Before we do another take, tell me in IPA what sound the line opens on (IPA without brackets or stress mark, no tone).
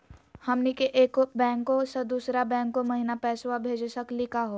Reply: h